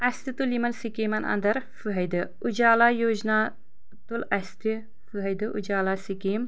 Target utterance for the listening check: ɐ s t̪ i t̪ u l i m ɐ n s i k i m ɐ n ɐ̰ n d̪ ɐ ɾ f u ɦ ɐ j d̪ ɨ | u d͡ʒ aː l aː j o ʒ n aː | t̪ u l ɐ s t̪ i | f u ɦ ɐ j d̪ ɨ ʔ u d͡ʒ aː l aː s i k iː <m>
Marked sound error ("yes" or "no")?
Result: no